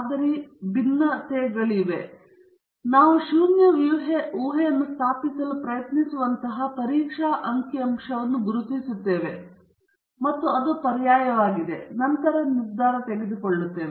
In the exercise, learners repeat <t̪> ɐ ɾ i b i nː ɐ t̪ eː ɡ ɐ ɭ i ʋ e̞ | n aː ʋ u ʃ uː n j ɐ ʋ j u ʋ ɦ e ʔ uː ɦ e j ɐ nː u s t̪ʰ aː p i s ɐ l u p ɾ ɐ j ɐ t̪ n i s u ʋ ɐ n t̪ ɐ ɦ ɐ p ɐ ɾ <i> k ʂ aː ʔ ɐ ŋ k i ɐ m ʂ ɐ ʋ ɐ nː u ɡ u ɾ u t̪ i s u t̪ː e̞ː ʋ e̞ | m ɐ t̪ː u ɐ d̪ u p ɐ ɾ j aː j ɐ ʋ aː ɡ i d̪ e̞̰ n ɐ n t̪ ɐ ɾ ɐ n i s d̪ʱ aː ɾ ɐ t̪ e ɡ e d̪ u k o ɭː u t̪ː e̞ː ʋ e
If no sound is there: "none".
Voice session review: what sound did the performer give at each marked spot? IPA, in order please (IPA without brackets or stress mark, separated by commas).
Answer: d̪, iː